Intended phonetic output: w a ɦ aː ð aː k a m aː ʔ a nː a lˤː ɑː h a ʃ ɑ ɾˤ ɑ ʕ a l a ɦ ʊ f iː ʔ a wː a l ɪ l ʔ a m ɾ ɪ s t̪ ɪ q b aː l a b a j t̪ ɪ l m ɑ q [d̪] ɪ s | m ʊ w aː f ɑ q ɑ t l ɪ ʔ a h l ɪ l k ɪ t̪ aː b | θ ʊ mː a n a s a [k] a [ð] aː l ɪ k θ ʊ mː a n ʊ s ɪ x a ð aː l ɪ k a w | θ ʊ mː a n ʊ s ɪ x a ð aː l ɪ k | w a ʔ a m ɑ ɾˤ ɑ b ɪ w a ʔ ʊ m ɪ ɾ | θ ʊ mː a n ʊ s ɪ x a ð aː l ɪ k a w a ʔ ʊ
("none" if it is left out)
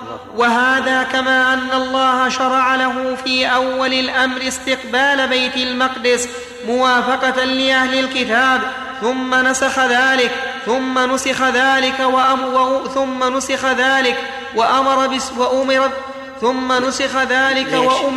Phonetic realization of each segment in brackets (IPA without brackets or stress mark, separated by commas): d̪, x, ð